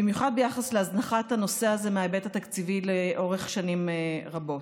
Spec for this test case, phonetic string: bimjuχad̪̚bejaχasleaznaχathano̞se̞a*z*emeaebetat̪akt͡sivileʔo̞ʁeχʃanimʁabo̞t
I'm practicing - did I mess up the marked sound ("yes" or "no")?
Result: no